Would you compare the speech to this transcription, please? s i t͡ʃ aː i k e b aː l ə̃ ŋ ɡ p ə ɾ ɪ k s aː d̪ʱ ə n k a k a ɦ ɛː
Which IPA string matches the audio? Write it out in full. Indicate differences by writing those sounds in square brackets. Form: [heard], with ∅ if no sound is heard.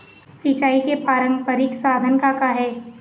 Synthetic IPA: s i t͡ʃ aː i k e [p] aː [ɾ] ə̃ ŋ ɡ p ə ɾ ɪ k s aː d̪ʱ ə n k a k a ɦ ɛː

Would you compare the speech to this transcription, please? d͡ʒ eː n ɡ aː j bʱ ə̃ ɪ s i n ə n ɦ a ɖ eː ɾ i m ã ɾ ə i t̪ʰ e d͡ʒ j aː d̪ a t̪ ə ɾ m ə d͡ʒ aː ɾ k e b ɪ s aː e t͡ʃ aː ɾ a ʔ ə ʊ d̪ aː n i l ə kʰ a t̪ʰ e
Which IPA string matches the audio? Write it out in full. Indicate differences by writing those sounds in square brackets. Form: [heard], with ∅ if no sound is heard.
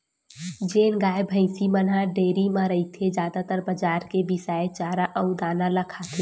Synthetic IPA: d͡ʒ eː n ɡ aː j bʱ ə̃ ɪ s i [m] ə n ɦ a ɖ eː ɾ i m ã ɾ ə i t̪ʰ e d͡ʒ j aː d̪ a t̪ ə ɾ [b] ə d͡ʒ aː ɾ k e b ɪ s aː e t͡ʃ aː ɾ a ʔ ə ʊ d̪ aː n [a] l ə kʰ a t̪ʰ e

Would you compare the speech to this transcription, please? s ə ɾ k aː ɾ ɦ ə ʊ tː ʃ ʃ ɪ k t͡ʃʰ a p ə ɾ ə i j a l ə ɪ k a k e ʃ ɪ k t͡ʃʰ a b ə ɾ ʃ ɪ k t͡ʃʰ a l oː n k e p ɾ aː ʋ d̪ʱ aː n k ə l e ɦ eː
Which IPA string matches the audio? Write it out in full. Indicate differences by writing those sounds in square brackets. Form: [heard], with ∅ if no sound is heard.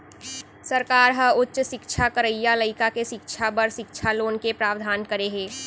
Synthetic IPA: s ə ɾ k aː ɾ ɦ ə ʊ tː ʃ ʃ ɪ k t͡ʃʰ a [k] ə ɾ ə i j a l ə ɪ k a k e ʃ ɪ k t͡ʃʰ a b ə ɾ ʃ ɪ k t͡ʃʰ a l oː n k e p ɾ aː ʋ d̪ʱ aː n k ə [ɾ] e ɦ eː

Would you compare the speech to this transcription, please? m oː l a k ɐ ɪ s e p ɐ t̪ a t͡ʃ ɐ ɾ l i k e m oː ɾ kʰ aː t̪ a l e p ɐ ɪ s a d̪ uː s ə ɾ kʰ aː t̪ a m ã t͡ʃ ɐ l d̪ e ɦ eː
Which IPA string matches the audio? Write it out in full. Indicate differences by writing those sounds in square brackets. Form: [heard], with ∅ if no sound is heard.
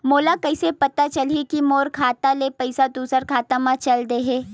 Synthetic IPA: m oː l a k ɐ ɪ s e p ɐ t̪ a t͡ʃ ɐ [∅] l i k [i] m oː ɾ kʰ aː t̪ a l e p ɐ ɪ s a d̪ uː s ə ɾ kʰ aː t̪ a m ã t͡ʃ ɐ l d̪ e ɦ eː

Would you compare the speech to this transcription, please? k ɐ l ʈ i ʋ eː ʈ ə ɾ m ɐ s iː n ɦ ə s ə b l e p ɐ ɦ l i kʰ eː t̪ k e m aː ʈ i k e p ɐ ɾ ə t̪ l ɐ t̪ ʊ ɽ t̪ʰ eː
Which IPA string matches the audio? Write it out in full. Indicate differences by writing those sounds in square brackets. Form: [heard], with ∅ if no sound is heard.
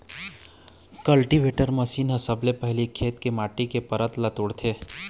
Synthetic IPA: k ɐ l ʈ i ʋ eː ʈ ə ɾ m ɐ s iː n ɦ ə s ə b l e p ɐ ɦ l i kʰ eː t̪ k e m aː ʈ i k e p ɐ ɾ ə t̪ l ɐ t̪ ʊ ɽ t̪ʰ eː

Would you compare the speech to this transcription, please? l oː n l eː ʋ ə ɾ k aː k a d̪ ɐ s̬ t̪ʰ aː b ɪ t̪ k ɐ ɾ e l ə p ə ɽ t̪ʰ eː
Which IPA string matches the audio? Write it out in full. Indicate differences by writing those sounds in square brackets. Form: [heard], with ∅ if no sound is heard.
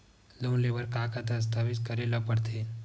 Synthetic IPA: l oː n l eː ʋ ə ɾ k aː k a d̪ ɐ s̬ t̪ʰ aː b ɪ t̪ k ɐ ɾ e l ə p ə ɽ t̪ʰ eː

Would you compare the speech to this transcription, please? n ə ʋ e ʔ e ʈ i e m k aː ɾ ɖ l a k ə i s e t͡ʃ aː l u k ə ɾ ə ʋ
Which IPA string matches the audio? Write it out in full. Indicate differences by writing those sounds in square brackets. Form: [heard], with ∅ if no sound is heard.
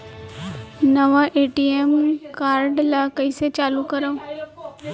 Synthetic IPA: n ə ʋ [a] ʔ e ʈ i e m k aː ɾ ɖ l a k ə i s e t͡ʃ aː l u k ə ɾ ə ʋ

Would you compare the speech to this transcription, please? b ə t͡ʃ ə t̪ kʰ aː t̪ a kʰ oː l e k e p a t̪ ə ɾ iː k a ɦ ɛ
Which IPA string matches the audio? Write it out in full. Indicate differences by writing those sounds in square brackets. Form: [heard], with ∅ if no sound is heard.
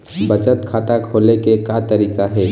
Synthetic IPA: b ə t͡ʃ ə t̪ kʰ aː t̪ a kʰ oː l e k e [k] a t̪ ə ɾ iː k a ɦ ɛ

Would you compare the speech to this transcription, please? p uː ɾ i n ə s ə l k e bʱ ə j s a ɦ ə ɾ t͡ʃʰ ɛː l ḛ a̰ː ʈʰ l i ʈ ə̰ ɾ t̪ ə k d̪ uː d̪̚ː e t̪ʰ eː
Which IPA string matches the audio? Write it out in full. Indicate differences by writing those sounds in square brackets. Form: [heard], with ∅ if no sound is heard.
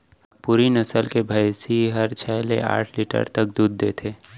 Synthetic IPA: p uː ɾ i n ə s ə l k e bʱ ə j s [i] ɦ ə ɾ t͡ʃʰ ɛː l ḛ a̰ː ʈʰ l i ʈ ə̰ ɾ t̪ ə k d̪ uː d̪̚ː e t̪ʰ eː

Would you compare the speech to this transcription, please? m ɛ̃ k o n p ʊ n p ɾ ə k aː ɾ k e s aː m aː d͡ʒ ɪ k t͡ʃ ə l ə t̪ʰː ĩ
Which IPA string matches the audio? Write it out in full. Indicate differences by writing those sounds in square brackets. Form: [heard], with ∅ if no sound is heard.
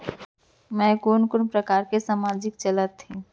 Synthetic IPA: m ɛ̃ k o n [k] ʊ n p ɾ ə k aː ɾ k e s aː m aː d͡ʒ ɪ k t͡ʃ ə l ə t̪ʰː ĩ

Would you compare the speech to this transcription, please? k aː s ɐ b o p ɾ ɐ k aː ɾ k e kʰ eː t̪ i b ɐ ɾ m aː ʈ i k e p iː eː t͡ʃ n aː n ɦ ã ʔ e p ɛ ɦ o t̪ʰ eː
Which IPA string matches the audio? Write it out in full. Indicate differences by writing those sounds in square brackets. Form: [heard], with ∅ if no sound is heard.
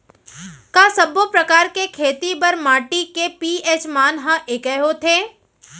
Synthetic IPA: k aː s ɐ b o p ɾ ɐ k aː ɾ k e kʰ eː t̪ i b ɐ ɾ m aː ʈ i k e p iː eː t͡ʃ [m] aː n ɦ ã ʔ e [k] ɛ ɦ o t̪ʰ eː

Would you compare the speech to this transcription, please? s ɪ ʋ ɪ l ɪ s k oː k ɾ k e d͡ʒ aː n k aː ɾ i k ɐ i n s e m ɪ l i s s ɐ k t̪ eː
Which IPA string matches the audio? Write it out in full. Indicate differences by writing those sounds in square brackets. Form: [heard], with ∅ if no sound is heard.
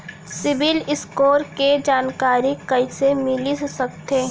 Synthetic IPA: s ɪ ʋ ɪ l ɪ s k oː [∅] ɾ k e d͡ʒ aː n k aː ɾ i k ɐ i [∅] s e m ɪ l i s s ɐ k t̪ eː

